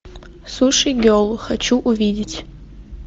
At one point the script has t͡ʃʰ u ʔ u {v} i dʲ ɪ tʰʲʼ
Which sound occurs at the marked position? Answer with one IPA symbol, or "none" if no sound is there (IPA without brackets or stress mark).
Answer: v